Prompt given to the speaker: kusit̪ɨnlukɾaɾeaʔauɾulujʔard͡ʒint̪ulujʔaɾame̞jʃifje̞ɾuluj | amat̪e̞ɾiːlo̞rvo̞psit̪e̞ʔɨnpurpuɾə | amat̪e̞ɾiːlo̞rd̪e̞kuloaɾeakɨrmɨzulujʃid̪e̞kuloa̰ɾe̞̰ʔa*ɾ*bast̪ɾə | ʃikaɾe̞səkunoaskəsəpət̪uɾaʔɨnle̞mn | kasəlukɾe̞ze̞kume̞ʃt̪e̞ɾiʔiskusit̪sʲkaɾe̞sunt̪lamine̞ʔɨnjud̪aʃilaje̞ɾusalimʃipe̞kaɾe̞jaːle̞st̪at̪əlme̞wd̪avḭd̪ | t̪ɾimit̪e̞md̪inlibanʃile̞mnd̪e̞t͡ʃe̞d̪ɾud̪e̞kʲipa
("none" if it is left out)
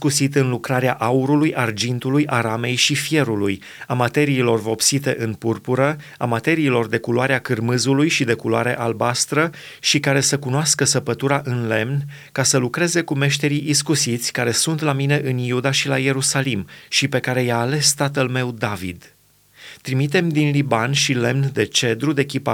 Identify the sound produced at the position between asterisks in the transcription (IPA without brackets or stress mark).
l